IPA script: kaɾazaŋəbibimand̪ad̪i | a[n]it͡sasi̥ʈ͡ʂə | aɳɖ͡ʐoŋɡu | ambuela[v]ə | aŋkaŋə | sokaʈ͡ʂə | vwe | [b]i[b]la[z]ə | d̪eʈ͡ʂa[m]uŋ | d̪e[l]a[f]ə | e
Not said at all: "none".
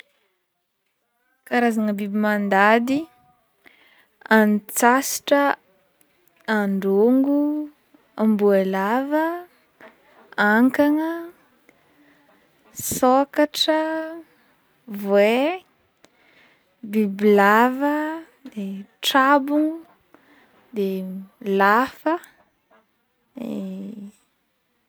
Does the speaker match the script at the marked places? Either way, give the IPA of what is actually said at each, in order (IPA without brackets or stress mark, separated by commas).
n, v, b, b, v, b, l, f